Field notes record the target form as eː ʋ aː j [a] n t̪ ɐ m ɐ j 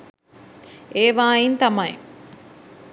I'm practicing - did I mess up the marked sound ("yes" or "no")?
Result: yes